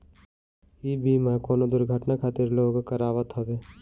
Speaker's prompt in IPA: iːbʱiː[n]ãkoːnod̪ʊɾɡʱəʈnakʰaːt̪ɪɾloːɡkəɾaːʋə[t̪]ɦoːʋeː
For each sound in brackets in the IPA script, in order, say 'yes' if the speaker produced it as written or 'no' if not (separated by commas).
no, yes